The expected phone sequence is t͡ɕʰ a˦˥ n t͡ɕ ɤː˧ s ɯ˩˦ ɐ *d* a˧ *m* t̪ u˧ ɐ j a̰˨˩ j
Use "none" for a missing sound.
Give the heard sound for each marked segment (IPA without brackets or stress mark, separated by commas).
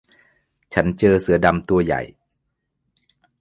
d, m